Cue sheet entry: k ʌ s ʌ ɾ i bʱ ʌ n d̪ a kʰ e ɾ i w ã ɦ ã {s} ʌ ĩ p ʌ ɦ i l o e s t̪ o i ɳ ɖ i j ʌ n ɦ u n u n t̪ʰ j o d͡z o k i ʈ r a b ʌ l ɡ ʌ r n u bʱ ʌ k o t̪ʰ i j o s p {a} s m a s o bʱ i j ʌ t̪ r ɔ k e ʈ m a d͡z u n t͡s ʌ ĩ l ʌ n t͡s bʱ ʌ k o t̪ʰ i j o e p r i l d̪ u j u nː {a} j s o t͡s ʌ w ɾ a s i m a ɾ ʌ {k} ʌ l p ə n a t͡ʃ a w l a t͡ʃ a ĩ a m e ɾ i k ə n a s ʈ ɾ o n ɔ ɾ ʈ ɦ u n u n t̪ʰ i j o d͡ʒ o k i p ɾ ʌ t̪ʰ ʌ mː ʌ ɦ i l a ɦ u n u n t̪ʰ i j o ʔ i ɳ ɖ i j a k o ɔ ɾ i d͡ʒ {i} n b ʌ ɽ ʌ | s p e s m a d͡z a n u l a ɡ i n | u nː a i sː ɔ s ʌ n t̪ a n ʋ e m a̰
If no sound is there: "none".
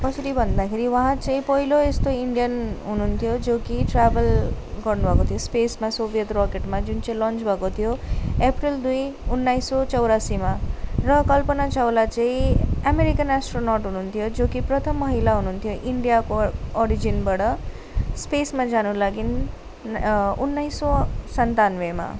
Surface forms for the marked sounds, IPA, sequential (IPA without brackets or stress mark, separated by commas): t͡s, e, a, k, i